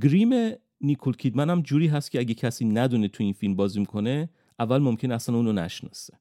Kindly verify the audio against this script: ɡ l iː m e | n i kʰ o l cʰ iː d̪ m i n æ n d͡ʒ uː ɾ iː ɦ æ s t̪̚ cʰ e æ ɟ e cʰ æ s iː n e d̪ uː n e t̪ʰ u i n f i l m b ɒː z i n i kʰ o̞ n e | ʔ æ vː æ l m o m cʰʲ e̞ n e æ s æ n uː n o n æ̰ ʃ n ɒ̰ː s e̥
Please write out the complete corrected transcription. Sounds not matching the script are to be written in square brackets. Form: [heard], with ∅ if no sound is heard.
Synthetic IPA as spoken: ɡ [ɾ] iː m e | n i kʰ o l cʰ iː d̪ m [æ] n æ [m] d͡ʒ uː ɾ iː ɦ æ s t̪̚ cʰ e æ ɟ e cʰ æ s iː n [æ] d̪ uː n e t̪ʰ u i n f i l m b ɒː z i [m] i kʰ o̞ n e | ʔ æ vː æ l m o m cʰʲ e̞ n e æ s æ n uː n o n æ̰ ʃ n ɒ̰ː s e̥